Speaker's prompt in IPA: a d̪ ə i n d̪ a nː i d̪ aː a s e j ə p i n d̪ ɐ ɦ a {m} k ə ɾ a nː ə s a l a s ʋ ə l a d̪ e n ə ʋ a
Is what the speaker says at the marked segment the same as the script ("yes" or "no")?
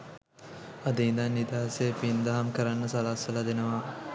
yes